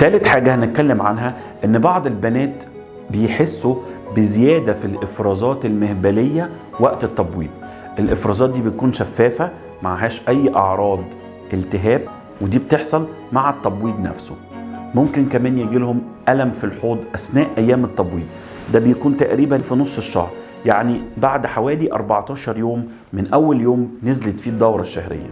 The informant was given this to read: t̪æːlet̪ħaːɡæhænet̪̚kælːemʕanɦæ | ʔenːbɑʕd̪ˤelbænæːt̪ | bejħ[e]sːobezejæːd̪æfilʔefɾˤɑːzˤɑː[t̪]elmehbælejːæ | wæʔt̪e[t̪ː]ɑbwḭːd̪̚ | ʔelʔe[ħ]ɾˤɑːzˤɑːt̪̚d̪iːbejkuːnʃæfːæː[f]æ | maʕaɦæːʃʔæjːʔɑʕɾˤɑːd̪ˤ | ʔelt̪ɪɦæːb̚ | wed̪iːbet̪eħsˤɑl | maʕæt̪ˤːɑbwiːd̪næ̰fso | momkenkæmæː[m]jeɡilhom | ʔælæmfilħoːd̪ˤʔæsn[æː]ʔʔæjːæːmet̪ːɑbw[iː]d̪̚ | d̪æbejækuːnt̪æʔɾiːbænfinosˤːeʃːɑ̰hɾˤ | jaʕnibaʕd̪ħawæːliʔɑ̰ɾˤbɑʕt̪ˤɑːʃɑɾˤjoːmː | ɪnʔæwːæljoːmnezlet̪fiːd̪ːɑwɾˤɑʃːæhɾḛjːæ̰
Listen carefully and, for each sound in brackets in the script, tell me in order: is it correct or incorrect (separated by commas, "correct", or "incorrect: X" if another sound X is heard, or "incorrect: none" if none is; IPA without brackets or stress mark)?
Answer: correct, correct, correct, incorrect: f, correct, incorrect: n, correct, correct